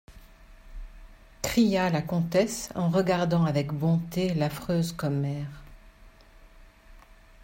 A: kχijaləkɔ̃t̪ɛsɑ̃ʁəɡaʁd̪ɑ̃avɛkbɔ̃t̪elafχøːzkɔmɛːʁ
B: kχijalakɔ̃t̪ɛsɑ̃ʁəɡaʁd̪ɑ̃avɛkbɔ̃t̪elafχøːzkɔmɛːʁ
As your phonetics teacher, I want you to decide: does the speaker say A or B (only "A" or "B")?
B